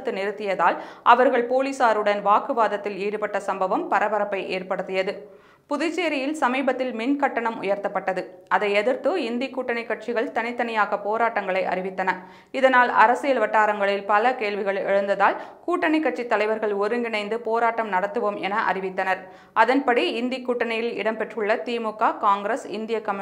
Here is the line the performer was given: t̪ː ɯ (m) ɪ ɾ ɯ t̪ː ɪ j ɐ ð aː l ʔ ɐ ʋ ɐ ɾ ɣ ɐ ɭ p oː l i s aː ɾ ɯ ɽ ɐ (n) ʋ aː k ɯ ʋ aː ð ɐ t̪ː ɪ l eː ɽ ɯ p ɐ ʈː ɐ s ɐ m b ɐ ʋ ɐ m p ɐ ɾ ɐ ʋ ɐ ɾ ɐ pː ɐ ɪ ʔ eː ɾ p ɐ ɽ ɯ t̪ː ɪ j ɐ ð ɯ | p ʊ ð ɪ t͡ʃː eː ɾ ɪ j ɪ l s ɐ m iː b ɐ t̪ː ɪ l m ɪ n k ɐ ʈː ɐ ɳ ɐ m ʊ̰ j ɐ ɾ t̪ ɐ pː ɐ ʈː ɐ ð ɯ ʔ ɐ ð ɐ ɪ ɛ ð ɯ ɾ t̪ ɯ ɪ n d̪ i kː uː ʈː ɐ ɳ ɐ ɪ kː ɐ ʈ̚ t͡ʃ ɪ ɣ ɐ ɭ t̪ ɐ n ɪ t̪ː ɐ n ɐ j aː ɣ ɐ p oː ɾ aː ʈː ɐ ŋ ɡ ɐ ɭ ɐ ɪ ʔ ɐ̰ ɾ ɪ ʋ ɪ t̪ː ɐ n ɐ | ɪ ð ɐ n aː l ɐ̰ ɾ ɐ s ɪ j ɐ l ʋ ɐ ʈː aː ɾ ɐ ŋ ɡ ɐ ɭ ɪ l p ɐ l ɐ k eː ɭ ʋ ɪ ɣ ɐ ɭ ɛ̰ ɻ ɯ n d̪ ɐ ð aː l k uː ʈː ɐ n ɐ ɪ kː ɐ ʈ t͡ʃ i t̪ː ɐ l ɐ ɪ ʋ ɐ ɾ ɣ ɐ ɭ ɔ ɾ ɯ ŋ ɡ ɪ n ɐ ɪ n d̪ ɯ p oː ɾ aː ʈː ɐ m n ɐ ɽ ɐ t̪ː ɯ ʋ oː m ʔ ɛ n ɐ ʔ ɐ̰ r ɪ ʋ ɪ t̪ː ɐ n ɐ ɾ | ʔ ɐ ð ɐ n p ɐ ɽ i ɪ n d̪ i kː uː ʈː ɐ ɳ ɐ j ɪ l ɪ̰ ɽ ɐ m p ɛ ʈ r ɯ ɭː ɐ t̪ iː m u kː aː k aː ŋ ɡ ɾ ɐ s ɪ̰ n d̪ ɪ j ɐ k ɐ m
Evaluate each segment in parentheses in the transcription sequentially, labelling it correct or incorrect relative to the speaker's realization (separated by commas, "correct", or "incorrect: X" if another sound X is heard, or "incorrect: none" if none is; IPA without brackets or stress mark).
incorrect: n, correct